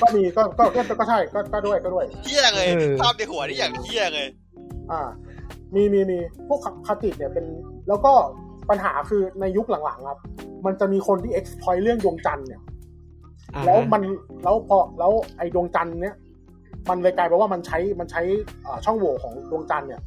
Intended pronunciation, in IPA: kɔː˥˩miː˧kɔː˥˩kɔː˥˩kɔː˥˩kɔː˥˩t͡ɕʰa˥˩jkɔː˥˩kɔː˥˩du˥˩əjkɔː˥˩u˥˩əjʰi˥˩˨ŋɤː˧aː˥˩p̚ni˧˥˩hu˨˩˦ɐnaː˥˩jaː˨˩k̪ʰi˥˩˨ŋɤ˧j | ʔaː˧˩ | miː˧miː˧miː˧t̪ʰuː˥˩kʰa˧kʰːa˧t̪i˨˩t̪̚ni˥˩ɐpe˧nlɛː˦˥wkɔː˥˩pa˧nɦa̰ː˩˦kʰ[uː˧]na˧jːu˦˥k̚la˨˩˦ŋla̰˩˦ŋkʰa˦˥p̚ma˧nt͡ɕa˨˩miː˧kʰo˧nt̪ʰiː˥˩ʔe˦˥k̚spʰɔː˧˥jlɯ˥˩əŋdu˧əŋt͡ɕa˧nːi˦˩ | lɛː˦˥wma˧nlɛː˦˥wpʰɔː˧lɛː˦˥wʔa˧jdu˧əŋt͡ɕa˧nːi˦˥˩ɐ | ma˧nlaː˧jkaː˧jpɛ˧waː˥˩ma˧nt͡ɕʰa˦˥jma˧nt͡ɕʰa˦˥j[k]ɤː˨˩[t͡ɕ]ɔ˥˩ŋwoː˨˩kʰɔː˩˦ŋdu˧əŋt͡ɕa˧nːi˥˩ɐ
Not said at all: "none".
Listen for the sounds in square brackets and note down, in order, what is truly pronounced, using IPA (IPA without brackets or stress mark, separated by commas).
ɯː˧, ʔ, t͡ɕʰ